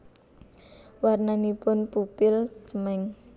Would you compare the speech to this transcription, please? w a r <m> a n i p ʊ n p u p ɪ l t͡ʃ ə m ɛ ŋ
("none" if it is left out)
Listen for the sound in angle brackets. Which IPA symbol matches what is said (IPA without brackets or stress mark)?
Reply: n